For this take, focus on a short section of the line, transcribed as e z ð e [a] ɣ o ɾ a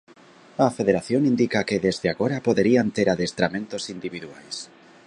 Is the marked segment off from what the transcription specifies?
no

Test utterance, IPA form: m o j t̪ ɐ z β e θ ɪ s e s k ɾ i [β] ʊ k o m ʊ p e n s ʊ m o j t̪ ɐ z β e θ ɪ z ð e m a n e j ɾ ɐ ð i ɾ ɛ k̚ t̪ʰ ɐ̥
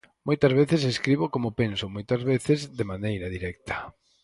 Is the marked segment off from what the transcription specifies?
no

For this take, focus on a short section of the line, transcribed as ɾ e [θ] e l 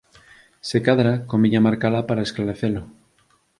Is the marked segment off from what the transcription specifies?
no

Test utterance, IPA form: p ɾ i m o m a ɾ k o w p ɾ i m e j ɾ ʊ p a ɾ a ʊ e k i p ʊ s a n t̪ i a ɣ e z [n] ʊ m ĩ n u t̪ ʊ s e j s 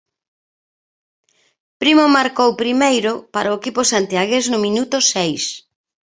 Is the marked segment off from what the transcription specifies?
no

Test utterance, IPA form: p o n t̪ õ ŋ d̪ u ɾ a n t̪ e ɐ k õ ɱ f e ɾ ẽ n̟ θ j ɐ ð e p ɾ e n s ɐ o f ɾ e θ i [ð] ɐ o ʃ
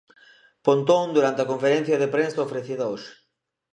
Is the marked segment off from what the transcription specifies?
no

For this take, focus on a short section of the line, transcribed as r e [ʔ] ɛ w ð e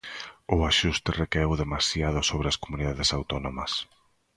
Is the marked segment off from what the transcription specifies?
yes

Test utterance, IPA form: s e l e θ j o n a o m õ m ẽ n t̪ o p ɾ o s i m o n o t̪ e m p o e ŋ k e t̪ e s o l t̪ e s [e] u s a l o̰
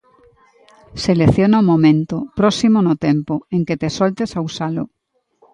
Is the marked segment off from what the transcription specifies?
yes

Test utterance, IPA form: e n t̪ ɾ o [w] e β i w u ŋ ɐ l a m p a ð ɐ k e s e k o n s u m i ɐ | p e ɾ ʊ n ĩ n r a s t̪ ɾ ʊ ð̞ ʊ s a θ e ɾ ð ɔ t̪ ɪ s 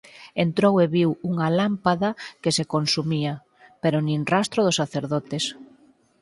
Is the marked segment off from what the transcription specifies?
no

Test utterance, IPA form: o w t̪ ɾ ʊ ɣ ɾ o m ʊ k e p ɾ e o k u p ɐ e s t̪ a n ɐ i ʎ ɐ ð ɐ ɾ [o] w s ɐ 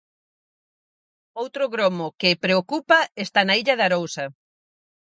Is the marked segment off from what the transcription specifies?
no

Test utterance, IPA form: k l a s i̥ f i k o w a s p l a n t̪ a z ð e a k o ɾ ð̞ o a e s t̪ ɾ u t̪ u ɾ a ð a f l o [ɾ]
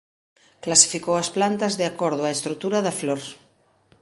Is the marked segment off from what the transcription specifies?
no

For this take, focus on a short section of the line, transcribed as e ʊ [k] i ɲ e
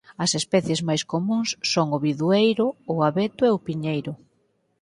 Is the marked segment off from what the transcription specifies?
yes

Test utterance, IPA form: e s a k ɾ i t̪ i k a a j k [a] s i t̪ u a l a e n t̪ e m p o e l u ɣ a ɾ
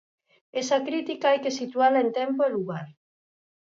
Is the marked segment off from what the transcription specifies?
yes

